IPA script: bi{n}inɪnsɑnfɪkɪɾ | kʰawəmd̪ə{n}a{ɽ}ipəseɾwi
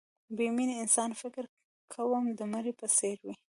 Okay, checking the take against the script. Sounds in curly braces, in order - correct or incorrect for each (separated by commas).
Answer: incorrect, incorrect, incorrect